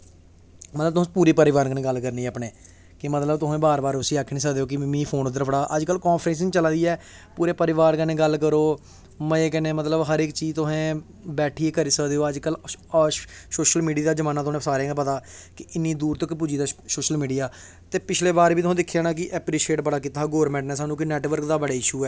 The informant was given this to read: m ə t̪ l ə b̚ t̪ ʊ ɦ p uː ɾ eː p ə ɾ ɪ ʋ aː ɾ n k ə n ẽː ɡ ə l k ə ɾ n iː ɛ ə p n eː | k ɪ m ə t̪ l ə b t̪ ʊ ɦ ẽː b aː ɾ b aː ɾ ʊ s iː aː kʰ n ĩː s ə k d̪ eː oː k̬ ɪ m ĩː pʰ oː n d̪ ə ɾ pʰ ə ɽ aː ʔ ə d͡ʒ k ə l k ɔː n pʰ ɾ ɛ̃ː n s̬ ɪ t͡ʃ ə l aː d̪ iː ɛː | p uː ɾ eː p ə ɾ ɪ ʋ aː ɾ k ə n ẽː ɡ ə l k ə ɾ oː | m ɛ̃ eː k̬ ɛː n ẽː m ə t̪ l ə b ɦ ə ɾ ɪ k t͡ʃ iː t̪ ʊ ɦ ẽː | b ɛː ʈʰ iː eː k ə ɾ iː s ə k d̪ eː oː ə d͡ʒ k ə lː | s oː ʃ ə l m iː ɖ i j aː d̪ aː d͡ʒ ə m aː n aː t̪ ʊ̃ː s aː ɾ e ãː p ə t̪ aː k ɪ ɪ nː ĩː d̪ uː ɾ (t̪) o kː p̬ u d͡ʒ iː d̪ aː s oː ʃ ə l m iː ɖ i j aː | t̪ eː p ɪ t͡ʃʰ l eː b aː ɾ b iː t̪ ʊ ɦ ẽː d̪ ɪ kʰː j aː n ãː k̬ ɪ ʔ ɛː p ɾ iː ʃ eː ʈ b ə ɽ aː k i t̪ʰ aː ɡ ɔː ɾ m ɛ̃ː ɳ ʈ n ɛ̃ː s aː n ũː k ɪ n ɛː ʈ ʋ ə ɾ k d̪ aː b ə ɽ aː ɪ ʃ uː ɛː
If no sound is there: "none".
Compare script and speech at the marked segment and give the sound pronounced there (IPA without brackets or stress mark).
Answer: t̪